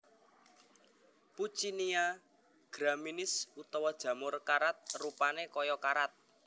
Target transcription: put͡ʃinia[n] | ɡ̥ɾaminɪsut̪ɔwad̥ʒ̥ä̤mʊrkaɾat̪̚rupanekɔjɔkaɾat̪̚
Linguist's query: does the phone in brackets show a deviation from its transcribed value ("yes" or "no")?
yes